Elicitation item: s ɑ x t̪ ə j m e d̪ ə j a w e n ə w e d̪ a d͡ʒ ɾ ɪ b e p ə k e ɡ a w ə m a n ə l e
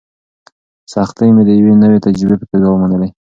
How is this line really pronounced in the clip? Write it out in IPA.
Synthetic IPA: s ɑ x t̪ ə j m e d̪ ə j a w e n ə w e t̪ a d͡ʒ ɾ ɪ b e p ə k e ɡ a w ə m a n ə l e

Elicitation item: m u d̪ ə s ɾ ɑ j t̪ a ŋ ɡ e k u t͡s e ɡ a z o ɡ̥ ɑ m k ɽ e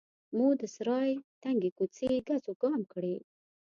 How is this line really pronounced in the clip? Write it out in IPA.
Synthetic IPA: m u d̪ ə s ɾ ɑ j t̪ a ŋ ɡ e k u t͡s e ɡ a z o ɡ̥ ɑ m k ɽ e

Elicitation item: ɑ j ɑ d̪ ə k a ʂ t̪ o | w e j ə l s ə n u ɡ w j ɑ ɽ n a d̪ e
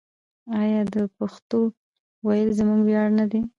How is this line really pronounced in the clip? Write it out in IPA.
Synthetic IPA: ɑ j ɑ d̪ ə p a x t̪ o | w a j ə l z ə m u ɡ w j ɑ ɽ n a d̪ e

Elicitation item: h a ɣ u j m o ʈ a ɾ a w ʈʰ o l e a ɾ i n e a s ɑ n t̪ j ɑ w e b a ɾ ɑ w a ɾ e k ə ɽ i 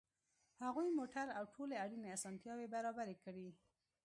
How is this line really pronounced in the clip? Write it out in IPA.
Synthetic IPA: h a ɣ u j m o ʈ a ɾ a w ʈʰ o l e a ɽ i n e a s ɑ n t̪ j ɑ w e b a ɾ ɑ b a ɾ e k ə ɽ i

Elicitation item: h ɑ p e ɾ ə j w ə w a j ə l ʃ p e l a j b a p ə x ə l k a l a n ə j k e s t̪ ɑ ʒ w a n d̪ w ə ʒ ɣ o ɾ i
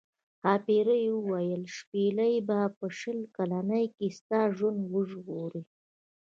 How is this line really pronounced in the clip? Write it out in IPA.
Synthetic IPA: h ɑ p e ɾ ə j w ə w a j ə l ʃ p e l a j b a p ə ʃ ə l k a l a n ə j k e s t̪ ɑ ʒ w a n d̪ w ə ʒ ɣ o ɾ i

